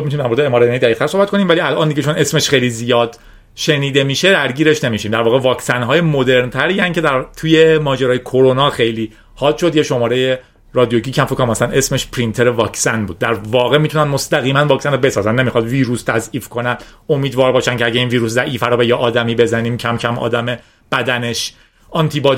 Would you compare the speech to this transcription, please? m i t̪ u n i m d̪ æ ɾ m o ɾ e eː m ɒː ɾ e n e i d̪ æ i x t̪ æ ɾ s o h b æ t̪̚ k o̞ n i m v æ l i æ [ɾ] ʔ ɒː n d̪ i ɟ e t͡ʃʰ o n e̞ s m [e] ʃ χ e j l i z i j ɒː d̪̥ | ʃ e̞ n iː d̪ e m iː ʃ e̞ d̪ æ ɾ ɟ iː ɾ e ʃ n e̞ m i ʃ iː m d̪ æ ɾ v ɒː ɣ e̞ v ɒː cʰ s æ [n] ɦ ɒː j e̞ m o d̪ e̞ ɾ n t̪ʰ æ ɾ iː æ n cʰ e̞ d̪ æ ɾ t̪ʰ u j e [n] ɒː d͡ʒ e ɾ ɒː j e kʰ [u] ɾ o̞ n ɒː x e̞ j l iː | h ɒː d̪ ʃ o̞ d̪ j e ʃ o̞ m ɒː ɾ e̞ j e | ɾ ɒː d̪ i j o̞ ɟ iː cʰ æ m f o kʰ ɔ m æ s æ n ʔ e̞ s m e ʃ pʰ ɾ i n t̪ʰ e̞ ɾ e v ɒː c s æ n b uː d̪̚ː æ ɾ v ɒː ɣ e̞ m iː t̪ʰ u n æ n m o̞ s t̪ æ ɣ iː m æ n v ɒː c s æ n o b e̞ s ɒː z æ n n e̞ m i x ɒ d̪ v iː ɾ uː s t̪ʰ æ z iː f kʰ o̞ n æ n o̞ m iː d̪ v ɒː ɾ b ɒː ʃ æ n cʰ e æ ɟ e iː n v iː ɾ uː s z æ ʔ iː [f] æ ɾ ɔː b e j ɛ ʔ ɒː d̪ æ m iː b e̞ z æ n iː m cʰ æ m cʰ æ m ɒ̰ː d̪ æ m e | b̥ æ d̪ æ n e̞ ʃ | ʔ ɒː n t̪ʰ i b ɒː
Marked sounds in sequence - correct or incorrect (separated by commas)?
incorrect, correct, correct, incorrect, incorrect, correct